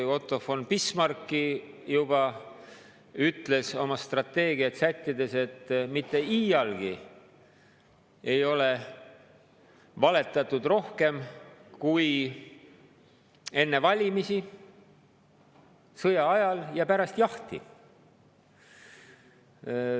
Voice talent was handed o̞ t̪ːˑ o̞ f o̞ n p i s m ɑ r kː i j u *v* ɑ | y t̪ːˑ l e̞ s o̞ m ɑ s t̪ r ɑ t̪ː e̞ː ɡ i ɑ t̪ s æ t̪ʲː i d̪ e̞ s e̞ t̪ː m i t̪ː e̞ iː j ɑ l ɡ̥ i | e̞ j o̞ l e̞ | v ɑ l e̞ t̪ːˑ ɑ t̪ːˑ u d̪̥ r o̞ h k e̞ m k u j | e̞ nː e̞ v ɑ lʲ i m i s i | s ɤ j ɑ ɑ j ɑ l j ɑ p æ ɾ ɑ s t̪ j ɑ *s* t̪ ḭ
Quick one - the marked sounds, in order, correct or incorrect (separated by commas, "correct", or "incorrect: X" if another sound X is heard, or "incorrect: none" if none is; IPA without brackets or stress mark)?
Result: incorrect: b, incorrect: h